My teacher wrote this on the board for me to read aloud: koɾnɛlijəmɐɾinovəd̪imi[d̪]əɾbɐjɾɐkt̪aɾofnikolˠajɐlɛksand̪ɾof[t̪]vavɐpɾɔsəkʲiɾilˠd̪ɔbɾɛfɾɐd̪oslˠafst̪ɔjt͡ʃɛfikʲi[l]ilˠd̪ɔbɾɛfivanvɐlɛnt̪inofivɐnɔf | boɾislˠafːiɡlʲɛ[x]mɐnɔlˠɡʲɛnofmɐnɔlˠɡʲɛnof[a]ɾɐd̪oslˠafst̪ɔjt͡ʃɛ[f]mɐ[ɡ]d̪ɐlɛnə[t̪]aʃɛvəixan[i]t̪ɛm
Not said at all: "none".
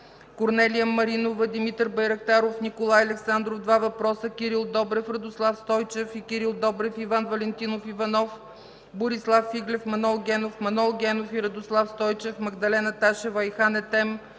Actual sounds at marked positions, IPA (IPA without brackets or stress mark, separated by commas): t̪, d̪, ɾ, f, i, f, ɡ, t̪, ɛ